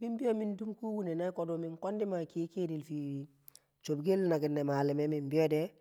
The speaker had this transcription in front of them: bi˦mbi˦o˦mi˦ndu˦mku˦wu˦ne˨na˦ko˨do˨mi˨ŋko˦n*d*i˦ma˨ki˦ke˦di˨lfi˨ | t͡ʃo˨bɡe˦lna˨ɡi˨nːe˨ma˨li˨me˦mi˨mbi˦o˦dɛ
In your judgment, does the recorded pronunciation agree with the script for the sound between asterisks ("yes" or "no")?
yes